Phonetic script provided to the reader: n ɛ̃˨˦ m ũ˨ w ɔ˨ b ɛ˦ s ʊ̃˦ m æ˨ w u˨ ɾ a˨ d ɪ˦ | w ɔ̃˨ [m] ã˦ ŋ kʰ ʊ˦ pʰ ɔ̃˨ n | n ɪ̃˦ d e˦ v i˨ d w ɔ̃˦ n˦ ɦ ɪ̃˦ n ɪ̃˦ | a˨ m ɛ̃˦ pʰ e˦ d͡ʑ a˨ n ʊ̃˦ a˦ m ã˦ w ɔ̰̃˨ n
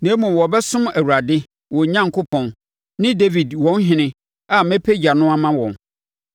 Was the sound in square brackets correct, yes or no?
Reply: no